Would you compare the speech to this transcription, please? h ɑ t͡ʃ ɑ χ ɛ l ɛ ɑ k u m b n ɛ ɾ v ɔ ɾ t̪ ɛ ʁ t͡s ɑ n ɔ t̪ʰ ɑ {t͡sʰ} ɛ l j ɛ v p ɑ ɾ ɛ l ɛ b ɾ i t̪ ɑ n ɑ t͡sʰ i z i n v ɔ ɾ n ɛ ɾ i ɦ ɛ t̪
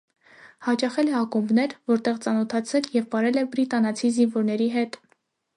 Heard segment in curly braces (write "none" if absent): t͡sʰ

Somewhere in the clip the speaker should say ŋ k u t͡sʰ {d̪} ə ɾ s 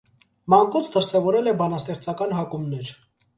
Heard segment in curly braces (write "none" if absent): d̪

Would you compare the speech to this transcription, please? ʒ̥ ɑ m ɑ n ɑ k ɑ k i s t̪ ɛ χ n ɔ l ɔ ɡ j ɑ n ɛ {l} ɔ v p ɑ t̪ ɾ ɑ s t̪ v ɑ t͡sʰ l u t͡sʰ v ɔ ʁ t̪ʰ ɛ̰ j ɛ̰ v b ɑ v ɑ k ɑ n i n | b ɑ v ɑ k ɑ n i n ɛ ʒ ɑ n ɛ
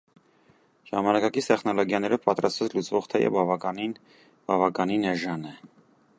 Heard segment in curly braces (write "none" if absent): ɾ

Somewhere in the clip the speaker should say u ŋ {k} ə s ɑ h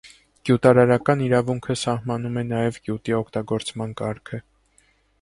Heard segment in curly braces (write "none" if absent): kʰ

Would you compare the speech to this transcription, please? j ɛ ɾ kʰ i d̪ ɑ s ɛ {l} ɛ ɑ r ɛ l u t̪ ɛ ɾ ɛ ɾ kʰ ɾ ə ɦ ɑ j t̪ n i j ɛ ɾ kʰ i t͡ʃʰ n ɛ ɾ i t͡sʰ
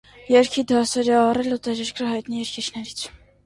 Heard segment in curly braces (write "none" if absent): ɾ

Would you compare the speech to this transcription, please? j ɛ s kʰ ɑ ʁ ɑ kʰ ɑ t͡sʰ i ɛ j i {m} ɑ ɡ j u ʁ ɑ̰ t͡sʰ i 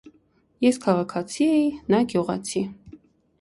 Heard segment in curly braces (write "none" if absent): n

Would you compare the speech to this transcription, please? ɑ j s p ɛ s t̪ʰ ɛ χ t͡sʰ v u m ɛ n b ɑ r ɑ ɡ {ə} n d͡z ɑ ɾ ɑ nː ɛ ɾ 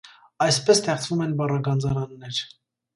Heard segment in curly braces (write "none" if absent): ɑ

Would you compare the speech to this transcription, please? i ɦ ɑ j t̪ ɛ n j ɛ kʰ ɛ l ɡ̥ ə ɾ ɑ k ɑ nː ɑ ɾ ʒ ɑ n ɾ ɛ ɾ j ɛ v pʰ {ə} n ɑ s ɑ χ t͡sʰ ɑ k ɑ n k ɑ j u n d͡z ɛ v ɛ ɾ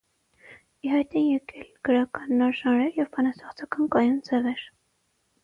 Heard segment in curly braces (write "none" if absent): ɑ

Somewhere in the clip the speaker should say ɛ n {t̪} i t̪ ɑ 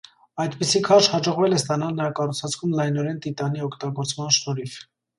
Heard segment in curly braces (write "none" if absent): t̪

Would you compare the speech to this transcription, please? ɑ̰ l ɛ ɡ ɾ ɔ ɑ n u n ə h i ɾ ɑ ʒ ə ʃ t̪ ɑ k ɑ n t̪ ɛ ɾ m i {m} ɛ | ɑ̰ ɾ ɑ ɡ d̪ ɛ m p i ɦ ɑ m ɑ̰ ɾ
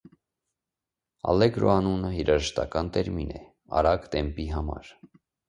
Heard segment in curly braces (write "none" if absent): n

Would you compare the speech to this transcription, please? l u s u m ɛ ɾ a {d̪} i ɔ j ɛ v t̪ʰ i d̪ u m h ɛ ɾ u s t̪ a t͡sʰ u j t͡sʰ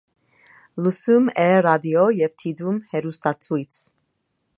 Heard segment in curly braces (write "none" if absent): d̪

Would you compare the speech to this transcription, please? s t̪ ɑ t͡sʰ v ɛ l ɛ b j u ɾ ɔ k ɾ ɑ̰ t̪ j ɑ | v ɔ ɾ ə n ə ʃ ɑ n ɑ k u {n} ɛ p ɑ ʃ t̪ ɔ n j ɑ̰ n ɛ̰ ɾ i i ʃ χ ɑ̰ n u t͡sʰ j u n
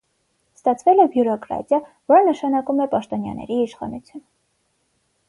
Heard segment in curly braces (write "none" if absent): m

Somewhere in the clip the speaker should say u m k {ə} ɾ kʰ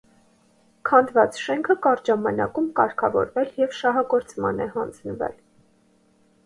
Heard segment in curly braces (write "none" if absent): ɑ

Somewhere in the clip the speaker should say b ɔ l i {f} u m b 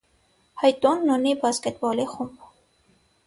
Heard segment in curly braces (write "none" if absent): χ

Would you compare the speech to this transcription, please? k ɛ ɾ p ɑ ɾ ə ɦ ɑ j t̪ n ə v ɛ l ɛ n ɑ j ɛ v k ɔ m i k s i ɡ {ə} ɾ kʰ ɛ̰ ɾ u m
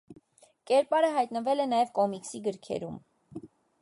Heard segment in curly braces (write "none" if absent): ə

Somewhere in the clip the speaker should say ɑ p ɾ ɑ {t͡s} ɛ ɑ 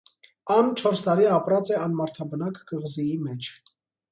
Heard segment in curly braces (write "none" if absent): t͡s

